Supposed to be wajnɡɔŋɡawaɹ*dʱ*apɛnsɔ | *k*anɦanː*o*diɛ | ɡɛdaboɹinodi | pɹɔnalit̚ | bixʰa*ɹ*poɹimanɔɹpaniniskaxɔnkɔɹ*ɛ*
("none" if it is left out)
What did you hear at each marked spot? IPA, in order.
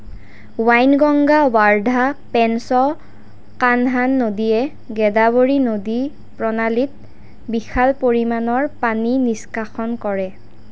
dʱ, k, o, l, ɛ

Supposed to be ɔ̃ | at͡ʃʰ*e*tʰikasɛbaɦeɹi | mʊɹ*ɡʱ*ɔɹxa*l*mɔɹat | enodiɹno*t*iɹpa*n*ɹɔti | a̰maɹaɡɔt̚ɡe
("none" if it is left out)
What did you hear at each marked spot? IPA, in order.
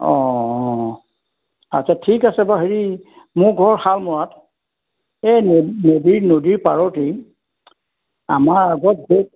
a, ɡʱ, l, d, none

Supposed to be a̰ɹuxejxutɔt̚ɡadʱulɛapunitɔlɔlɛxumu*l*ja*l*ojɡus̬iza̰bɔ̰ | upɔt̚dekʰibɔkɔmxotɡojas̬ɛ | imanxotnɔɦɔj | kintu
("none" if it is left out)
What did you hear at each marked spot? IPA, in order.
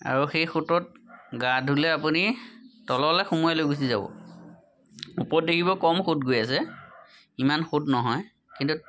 none, l

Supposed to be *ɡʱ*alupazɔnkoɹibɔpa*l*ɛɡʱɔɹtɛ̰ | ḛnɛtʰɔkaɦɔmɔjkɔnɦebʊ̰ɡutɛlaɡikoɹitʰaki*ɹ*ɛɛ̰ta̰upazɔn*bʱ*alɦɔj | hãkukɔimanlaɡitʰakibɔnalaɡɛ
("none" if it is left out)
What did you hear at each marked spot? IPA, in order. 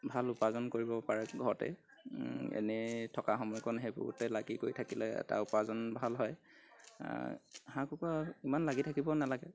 bʱ, ɹ, l, bʱ

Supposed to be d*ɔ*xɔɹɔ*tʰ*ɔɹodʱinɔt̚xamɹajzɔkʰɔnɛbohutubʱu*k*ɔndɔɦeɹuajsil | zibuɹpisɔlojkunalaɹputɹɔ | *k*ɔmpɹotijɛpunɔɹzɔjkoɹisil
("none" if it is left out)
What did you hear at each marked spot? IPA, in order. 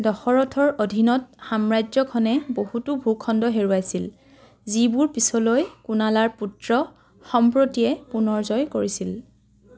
ɔ, tʰ, kʰ, x

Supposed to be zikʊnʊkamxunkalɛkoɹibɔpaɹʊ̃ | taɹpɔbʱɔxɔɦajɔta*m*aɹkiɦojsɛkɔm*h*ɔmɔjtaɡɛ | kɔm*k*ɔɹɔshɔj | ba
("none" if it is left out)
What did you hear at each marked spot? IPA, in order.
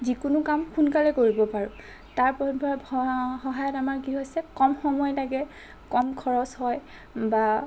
m, x, kʰ

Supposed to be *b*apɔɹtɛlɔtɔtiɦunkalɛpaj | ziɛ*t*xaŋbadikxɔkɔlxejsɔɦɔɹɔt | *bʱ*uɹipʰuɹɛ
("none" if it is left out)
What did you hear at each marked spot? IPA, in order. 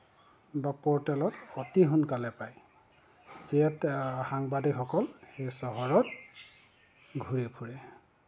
b, t, ɡʱ

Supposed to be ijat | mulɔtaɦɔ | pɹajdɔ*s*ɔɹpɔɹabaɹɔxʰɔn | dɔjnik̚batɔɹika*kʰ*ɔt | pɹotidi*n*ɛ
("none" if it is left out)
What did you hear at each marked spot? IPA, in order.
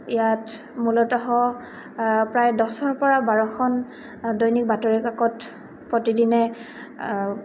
s, k, n

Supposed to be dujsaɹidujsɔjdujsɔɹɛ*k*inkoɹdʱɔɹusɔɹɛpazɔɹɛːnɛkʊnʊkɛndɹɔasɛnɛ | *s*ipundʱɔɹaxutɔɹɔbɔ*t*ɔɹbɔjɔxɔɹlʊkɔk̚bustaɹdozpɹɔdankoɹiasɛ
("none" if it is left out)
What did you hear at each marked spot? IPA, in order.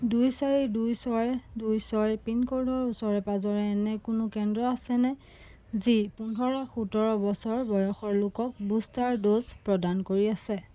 p, z, s

